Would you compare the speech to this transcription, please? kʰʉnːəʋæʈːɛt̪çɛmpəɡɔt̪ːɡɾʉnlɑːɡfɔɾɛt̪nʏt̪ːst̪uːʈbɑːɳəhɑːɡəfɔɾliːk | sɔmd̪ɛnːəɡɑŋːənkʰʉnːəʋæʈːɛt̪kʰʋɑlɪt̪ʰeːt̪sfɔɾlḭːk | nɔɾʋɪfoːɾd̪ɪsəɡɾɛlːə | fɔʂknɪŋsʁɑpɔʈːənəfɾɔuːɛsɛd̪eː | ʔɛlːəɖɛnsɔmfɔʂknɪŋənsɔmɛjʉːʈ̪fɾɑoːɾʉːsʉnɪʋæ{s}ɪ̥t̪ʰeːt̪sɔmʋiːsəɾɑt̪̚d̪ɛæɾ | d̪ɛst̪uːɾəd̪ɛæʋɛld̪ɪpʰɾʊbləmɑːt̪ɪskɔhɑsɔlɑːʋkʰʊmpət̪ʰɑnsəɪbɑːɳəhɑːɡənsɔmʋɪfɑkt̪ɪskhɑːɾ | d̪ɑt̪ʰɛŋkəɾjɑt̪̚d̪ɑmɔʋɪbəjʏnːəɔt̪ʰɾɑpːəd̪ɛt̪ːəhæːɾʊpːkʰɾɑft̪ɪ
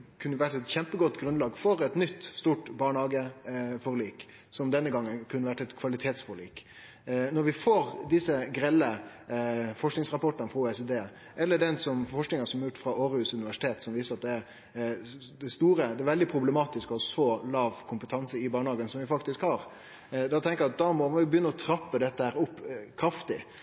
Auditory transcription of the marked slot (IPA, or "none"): ʂ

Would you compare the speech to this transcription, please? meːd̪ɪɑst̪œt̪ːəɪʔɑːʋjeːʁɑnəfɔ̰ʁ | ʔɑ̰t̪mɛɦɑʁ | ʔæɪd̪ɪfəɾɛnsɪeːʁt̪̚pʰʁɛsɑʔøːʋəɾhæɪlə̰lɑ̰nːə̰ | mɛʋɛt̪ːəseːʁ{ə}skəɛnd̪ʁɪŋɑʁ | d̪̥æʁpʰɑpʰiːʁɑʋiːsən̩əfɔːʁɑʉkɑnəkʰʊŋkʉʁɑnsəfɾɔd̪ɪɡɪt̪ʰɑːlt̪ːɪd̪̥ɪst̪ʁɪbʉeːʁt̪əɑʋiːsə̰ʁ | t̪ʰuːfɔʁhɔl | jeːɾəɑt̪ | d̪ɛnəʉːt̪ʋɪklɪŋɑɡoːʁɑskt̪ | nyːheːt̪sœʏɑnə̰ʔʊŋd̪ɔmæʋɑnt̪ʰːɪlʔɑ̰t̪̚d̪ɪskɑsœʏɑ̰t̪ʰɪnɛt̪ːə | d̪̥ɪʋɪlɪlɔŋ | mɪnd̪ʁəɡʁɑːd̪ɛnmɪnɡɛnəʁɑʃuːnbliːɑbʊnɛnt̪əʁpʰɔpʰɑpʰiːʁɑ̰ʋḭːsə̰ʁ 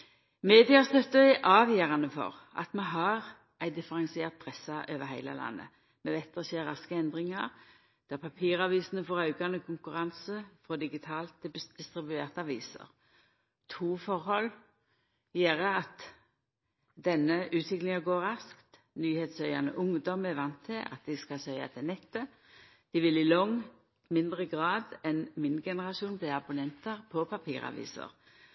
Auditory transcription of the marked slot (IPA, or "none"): ɑ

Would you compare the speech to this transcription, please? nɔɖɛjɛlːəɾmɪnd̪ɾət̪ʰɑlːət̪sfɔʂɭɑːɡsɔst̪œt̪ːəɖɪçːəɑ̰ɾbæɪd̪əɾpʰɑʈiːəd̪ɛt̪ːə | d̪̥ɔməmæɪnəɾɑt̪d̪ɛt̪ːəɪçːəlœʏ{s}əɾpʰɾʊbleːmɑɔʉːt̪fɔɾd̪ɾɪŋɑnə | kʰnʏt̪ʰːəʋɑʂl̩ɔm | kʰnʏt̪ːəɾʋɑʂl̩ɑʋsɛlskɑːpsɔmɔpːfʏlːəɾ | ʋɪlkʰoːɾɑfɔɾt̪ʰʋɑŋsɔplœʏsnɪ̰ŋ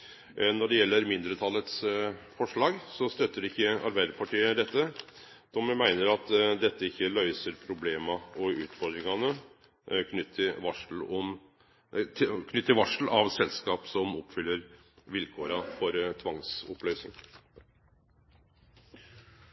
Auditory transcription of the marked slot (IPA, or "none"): s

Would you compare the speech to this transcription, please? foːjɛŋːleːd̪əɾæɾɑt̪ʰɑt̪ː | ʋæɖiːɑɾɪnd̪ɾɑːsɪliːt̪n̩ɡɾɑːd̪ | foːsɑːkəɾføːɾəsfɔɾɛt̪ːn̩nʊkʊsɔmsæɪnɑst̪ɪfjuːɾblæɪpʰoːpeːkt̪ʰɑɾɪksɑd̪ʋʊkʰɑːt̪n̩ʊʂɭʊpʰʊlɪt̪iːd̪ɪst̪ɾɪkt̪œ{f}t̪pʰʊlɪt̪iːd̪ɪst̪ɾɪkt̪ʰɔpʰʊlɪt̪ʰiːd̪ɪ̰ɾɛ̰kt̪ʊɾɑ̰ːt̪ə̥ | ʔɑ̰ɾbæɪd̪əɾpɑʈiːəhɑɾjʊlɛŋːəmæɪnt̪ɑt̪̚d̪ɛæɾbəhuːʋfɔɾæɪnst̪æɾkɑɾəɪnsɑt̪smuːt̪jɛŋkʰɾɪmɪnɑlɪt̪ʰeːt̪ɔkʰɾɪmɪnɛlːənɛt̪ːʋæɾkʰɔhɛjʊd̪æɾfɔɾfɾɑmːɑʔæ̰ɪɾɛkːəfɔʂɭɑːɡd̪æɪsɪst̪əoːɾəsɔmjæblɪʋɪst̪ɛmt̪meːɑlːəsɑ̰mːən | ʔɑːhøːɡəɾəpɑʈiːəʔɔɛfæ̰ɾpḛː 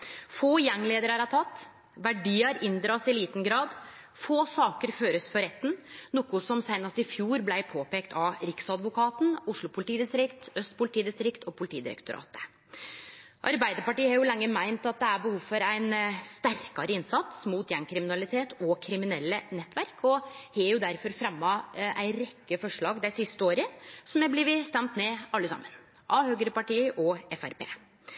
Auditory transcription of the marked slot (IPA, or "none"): s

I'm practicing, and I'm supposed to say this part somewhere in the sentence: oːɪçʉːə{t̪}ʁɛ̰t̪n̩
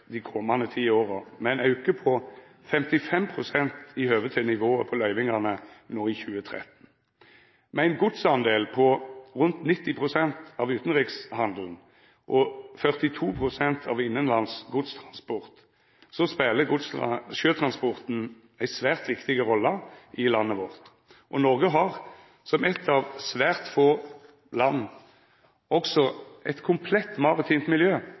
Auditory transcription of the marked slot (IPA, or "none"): t̪ʰ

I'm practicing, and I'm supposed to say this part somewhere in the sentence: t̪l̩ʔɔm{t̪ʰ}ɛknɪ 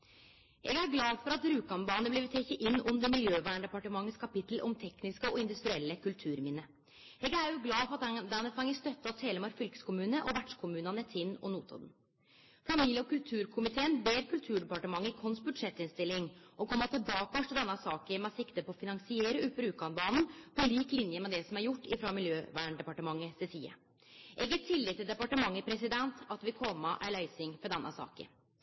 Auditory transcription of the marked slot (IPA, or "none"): t̪ʰ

